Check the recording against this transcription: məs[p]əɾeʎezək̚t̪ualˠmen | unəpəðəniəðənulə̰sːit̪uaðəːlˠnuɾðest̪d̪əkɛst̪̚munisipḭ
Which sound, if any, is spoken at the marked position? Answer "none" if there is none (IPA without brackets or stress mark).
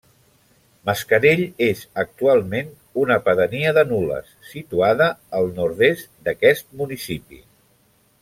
k